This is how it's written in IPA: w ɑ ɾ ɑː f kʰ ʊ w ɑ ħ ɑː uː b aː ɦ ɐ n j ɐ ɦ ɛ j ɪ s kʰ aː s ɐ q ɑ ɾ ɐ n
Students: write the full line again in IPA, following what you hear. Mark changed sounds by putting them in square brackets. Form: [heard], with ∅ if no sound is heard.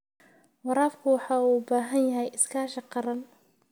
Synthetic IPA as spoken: w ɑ ɾ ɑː f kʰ ʊ w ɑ ħ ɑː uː b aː ɦ ɐ n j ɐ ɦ ɛ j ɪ s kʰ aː [ʃ] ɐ q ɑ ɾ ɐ n